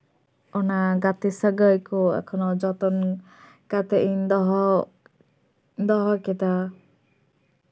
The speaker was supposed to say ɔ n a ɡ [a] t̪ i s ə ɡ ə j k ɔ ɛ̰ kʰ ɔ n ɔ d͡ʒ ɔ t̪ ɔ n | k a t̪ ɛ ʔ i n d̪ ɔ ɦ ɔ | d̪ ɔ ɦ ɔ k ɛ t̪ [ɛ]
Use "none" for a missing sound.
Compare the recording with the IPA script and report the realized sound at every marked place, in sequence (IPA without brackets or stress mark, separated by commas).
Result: a, a